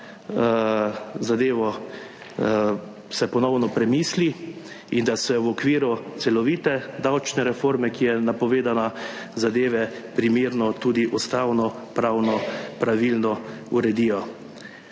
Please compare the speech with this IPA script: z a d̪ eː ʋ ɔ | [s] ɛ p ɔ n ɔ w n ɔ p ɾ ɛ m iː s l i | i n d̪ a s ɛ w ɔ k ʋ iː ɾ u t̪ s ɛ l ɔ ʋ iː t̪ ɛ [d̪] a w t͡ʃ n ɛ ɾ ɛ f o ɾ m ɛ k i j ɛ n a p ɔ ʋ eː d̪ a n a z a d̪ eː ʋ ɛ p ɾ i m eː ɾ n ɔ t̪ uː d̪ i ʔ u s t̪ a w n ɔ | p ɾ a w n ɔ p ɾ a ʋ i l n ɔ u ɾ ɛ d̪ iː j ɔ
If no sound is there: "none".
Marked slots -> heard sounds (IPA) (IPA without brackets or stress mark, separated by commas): s, d̪